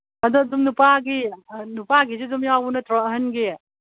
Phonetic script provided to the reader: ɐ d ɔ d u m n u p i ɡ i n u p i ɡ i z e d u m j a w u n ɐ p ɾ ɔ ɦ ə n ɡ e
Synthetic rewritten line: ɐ d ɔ d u m n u p a ɡ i n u p a ɡ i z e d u m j a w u n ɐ t ɾ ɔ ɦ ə n ɡ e